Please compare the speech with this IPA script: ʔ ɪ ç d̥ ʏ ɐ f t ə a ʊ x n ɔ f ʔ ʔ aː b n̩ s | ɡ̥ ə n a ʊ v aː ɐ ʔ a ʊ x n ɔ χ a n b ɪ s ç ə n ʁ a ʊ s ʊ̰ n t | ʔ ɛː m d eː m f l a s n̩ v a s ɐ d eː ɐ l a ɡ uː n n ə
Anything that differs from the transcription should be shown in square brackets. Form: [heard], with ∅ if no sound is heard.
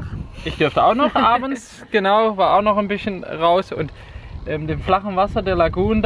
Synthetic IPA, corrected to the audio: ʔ ɪ ç d̥ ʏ ɐ f t ə a ʊ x n ɔ [χ] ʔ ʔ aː b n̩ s | ɡ̥ ə n a ʊ v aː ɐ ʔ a ʊ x n ɔ χ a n b ɪ s ç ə n ʁ a ʊ s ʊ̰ n t | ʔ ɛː m d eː m f l a [χ] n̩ v a s ɐ d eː ɐ l a ɡ uː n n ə